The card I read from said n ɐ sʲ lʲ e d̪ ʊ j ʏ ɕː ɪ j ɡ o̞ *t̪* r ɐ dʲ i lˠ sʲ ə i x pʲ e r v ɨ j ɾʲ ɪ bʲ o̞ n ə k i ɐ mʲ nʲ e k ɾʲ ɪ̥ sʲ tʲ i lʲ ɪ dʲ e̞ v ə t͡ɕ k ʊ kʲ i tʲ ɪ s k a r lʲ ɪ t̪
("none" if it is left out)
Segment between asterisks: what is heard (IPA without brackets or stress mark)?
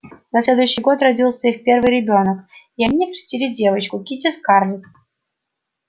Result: t̪